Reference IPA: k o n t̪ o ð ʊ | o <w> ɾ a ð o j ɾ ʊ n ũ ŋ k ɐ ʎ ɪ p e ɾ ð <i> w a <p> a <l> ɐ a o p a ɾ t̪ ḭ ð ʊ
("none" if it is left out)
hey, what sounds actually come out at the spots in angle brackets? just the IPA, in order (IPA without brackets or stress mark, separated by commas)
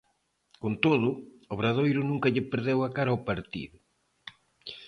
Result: β, e, k, ɾ